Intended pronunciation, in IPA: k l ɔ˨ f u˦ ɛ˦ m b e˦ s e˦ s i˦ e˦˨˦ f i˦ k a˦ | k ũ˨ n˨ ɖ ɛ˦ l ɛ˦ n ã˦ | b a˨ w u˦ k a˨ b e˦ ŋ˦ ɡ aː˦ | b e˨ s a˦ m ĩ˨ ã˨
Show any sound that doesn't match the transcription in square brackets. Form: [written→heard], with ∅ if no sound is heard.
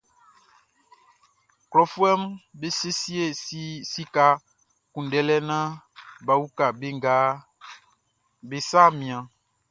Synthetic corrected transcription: k l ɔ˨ f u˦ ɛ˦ m b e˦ s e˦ s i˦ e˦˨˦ [f→s] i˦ k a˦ | k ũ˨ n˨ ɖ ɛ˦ l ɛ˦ n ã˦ | b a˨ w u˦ k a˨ b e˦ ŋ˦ ɡ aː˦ | b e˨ s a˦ m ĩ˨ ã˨